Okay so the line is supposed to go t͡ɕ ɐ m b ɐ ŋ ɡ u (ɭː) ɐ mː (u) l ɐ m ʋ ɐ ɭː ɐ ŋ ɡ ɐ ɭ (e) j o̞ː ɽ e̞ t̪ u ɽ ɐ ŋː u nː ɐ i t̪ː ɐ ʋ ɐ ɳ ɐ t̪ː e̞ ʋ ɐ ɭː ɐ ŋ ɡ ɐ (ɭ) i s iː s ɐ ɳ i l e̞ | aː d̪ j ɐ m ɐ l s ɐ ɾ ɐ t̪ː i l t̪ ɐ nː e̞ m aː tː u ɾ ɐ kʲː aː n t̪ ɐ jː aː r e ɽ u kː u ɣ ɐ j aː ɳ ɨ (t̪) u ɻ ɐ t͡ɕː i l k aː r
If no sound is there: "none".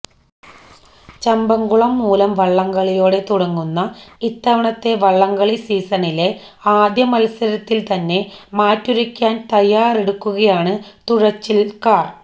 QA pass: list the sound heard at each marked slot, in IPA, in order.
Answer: ɭ, uː, i, ɭ, t̪

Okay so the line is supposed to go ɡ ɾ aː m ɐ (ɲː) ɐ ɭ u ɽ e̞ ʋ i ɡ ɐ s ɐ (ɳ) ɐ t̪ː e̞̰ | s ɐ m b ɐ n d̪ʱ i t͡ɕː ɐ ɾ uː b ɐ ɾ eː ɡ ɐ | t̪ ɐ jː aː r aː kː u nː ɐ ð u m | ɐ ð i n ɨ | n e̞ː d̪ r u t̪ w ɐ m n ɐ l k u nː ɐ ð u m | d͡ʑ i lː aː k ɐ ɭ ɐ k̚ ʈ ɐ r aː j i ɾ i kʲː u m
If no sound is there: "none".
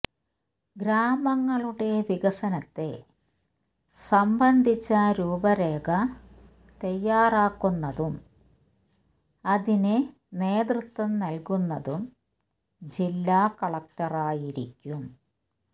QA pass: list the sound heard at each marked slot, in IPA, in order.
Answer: ŋː, n

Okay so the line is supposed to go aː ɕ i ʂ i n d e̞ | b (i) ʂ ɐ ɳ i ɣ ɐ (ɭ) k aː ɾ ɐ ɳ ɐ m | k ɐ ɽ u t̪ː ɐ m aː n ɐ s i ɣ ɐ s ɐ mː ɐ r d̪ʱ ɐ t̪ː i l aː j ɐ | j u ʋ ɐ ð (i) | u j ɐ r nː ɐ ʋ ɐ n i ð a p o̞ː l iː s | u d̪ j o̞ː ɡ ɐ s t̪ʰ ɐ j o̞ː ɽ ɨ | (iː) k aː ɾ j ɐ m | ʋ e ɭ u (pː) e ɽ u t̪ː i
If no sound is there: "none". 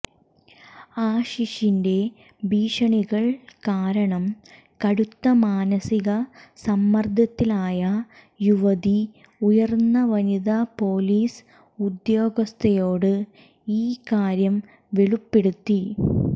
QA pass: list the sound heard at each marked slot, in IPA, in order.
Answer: iː, ɭ, i, iː, pː

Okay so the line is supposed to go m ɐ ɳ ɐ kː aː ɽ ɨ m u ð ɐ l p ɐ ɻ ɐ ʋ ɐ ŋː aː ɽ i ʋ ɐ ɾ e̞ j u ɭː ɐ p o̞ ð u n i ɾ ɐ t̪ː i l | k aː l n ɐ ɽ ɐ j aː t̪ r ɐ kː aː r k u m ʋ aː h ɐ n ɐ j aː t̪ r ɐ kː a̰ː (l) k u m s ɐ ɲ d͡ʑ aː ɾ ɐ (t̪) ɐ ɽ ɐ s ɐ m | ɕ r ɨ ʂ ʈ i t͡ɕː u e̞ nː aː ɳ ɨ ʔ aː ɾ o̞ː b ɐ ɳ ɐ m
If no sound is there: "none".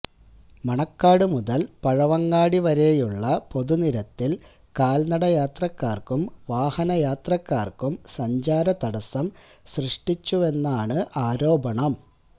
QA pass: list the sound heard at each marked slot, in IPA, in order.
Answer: r, t̪

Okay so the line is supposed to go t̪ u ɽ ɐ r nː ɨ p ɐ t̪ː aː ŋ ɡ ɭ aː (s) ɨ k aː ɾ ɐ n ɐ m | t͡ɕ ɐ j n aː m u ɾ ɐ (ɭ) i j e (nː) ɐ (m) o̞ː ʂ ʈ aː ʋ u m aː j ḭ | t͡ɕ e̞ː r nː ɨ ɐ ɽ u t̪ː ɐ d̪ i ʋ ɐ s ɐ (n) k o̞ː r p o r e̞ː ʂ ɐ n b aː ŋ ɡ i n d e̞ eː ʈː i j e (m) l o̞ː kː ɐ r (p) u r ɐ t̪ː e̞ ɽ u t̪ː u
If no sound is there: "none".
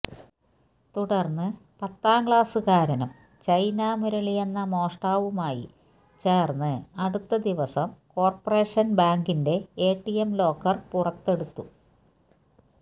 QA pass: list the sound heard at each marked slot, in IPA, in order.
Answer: s, ɭ, nː, m, m, m, p

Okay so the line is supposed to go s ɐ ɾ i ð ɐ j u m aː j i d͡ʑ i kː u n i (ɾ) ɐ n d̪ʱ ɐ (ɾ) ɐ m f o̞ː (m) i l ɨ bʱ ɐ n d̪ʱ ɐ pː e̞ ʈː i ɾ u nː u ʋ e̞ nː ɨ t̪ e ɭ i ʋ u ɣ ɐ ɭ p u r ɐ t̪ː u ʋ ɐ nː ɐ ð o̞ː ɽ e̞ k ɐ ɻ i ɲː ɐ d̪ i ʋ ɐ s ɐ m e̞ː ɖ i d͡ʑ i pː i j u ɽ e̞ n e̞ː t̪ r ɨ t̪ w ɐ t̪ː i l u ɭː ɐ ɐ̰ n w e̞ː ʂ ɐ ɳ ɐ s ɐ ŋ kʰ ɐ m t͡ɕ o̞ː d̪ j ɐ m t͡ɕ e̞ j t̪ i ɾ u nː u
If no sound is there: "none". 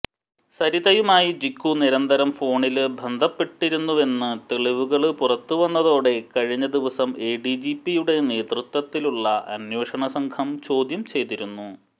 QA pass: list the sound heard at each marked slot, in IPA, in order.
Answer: ɾ, ɾ, ɳ

